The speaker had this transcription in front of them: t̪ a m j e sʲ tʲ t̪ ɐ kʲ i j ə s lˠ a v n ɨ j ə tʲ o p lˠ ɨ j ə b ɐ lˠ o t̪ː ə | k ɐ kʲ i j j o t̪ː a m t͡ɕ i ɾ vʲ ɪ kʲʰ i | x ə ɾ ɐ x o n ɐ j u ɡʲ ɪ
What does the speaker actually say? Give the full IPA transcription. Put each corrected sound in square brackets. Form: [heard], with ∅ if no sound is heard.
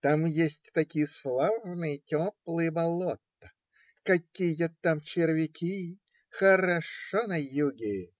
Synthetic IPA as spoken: t̪ a m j e sʲ tʲ t̪ ɐ kʲ i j ə s lˠ a v n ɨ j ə tʲ o p lˠ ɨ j ə b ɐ lˠ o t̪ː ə | k ɐ kʲ i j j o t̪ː a m t͡ɕ [ɪ] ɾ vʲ ɪ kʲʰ i | x ə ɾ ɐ [ʂ] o n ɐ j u ɡʲ ɪ

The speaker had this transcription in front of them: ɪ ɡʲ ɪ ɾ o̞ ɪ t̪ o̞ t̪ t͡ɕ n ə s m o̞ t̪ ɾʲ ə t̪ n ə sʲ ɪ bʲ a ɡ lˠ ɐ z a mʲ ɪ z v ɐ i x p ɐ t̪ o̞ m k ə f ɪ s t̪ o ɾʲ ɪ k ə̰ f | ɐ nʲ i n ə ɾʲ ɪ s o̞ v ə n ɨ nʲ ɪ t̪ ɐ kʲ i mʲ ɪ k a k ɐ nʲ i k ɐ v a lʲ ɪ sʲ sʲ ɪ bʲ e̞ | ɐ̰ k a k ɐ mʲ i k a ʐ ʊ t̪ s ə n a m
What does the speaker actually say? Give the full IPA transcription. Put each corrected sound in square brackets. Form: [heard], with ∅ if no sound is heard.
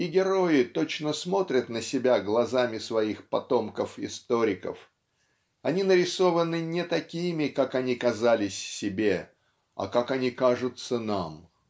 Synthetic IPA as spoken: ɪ ɡʲ ɪ ɾ o̞ ɪ t̪ o̞ [∅] t͡ɕ n ə s m o̞ t̪ ɾʲ ə t̪ n ə sʲ ɪ bʲ a ɡ lˠ ɐ z a mʲ ɪ [s] v ɐ i x p ɐ t̪ o̞ m k ə f ɪ s t̪ o ɾʲ ɪ k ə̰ f | ɐ nʲ i n ə ɾʲ ɪ s o̞ v ə n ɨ nʲ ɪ t̪ ɐ kʲ i mʲ ɪ k a k ɐ nʲ i k ɐ [z] a lʲ ɪ sʲ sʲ ɪ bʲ e̞ | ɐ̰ k a k ɐ [nʲ] i k a ʐ ʊ t̪ s ə n a m

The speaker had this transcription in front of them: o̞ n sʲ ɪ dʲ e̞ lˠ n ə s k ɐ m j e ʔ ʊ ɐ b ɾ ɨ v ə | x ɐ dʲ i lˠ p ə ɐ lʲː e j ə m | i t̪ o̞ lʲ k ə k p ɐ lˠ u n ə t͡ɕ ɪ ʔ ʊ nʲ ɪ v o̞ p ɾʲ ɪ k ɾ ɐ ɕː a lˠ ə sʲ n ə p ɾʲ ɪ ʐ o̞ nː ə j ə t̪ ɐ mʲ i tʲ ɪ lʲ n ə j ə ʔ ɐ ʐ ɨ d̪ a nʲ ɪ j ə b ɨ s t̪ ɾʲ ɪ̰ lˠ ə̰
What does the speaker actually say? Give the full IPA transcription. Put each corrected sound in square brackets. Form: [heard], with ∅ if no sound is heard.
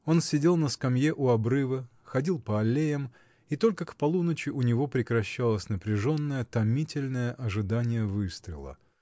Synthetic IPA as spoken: o̞ n sʲ ɪ dʲ e̞ lˠ n ə s k ɐ m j e ʔ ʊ ɐ b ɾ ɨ v ə | x ɐ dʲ i lˠ p ə ɐ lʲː e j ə m | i t̪ o̞ lʲ k ə k p ɐ lˠ u n ə t͡ɕ ɪ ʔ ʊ nʲ ɪ v o̞ p ɾʲ ɪ k ɾ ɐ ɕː a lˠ ə sʲ n ə p ɾʲ ɪ ʐ o̞ nː ə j ə t̪ ɐ mʲ i tʲ ɪ lʲ n ə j ə ʔ ɐ ʐ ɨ d̪ a nʲ ɪ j ə [v] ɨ s t̪ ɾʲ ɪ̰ lˠ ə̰

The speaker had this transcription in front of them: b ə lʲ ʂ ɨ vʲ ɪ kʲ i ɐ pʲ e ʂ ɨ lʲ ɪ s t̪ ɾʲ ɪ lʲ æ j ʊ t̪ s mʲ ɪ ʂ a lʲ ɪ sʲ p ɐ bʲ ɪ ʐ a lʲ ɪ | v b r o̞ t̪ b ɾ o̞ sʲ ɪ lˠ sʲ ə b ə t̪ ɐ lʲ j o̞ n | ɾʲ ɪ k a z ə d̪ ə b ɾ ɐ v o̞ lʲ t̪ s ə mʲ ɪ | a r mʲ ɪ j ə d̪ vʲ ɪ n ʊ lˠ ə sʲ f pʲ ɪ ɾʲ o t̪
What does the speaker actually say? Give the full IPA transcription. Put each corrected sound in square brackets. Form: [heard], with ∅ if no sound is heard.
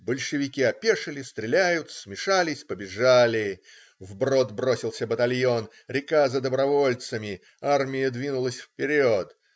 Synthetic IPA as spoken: b ə lʲ ʂ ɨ vʲ ɪ kʲ i ɐ pʲ e ʂ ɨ lʲ ɪ s t̪ ɾʲ ɪ lʲ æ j ʊ t̪ s mʲ ɪ ʂ a lʲ ɪ sʲ p [ə] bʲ ɪ ʐ a lʲ ɪ | v b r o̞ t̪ b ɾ o̞ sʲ ɪ lˠ sʲ ə b ə t̪ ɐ lʲ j o̞ n | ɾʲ ɪ k a z ə d̪ ə b ɾ ɐ v o̞ lʲ t̪ s ə mʲ ɪ | a r mʲ ɪ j ə d̪ vʲ [i] n ʊ lˠ ə sʲ f pʲ ɪ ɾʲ o t̪

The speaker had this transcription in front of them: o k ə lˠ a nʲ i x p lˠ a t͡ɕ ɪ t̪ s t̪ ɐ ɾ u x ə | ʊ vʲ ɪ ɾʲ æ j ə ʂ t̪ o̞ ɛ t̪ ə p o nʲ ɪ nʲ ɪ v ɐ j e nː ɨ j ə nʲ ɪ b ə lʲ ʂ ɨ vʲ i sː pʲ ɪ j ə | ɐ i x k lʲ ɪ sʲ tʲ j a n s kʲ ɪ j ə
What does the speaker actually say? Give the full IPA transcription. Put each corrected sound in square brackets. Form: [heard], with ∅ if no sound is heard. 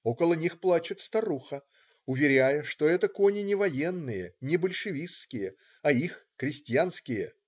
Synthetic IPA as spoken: o k ə lˠ [ə] nʲ i x p lˠ a t͡ɕ ɪ t̪ s t̪ ɐ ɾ u x ə | ʊ vʲ ɪ ɾʲ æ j ə ʂ t̪ o̞ ɛ t̪ ə [k] o nʲ ɪ nʲ ɪ v ɐ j e nː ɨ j ə nʲ ɪ b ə lʲ ʂ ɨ vʲ i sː [kʲ] ɪ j ə | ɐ i x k [ɾʲ] ɪ sʲ tʲ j a n s kʲ ɪ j ə

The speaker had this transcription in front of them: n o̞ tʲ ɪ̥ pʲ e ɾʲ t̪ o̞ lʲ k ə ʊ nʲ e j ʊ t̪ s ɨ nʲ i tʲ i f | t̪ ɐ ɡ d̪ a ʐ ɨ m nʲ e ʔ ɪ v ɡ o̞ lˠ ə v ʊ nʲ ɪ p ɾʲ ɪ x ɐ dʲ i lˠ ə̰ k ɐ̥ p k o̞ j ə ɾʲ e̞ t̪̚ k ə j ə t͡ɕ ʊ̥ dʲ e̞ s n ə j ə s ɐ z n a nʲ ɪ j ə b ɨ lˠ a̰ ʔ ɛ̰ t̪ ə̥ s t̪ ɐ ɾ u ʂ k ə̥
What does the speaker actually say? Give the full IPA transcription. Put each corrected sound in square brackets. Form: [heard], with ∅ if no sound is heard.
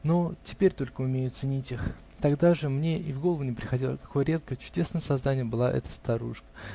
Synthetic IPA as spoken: n o̞ tʲ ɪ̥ pʲ e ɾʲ t̪ o̞ lʲ k ə ʊ [mʲ] e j ʊ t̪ s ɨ nʲ i tʲ i [x] | t̪ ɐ ɡ d̪ a ʐ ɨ m nʲ e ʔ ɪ v ɡ o̞ lˠ ə v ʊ nʲ ɪ p ɾʲ ɪ x ɐ dʲ i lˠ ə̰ k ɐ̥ [∅] k o̞ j ə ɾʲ e̞ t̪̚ k ə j ə t͡ɕ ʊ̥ dʲ e̞ s n ə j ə s ɐ z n a nʲ ɪ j ə b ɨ lˠ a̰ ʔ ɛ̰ t̪ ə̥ s t̪ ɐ ɾ u ʂ k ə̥

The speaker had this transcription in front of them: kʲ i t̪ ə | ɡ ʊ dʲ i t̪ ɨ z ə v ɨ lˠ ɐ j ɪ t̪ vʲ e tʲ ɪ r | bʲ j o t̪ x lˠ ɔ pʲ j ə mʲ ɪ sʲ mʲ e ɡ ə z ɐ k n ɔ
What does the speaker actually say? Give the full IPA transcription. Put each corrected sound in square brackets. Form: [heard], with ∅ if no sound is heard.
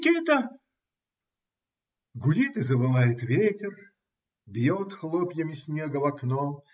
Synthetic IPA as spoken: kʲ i t̪ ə | ɡ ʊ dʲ i t̪ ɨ z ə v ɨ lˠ [a] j ɪ t̪ vʲ e tʲ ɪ r | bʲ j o t̪ x lˠ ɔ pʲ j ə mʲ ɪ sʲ [nʲ] e ɡ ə [v] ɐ k n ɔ

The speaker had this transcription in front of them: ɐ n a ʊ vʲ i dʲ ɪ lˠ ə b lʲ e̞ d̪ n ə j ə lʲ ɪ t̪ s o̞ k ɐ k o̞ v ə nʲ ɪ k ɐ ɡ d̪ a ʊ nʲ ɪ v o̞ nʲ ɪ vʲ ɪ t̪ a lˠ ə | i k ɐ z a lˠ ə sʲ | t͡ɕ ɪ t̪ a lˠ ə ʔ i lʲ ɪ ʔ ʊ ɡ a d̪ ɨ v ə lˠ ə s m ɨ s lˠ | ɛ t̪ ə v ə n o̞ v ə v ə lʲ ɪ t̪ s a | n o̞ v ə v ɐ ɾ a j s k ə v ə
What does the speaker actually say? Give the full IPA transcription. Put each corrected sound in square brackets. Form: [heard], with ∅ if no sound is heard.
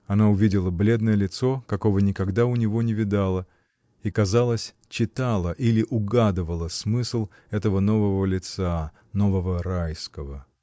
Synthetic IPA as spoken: ɐ n a ʊ vʲ i dʲ ɪ lˠ ə b lʲ e̞ d̪ n ə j ə lʲ ɪ t̪ s o̞ k ɐ k o̞ v ə nʲ ɪ k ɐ ɡ d̪ a ʊ nʲ ɪ v o̞ nʲ ɪ vʲ ɪ [d̪] a lˠ ə | i k ɐ z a lˠ ə sʲ | t͡ɕ ɪ t̪ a lˠ ə ʔ i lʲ ɪ ʔ ʊ ɡ a d̪ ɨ v ə lˠ ə s m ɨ s lˠ | ɛ t̪ ə v ə n o̞ v ə v ə lʲ ɪ t̪ s a | n o̞ v ə v [ə] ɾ a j s k ə v ə

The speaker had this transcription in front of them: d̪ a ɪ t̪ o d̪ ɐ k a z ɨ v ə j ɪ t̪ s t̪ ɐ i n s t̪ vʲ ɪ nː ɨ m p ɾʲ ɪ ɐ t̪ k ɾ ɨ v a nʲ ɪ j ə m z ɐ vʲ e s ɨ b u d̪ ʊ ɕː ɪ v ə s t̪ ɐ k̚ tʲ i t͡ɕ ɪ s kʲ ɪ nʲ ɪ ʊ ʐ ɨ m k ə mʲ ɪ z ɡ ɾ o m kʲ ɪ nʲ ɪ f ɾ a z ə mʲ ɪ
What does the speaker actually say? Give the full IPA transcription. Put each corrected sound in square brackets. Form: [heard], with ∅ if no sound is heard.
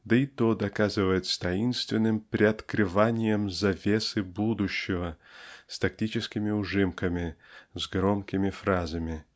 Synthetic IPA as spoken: d̪ [ə] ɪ t̪ o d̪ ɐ k a z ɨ v ə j ɪ t̪ s t̪ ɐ i n s t̪ vʲ ɪ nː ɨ m p ɾʲ ɪ ɐ t̪ k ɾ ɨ v a nʲ ɪ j ə m z ɐ vʲ e s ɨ b u d̪ ʊ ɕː ɪ v ə s t̪ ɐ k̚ tʲ i t͡ɕ ɪ s kʲ ɪ [mʲ] ɪ ʊ ʐ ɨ m k ə mʲ ɪ z ɡ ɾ o m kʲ ɪ [mʲ] ɪ f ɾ a z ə mʲ ɪ

